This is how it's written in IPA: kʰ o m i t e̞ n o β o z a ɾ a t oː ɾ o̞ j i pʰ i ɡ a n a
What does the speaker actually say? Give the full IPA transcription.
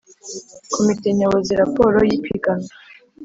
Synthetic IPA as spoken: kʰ o m i t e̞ ɲ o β o z i ɾ a p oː ɾ o̞ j i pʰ i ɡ a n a